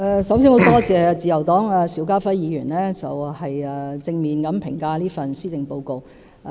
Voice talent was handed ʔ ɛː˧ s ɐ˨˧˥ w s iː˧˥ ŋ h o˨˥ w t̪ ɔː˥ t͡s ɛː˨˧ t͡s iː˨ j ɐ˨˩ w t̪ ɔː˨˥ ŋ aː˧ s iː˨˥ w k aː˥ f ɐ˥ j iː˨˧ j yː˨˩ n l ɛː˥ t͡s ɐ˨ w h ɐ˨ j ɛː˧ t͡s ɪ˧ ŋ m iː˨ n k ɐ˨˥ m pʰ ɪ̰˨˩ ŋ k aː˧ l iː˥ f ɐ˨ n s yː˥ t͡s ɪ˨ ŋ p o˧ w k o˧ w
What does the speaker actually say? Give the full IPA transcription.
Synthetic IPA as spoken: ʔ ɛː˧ s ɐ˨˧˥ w s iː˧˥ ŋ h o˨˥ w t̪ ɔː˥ t͡s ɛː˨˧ t͡s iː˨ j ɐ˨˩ w t̪ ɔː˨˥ ŋ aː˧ s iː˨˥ w k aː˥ f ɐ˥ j iː˨˧ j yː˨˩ n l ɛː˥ t͡s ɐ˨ w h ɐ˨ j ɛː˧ t͡s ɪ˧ ŋ m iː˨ n k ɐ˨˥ m pʰ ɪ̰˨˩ ŋ k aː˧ l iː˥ f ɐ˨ n s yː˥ t͡s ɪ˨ ŋ p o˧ w k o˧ w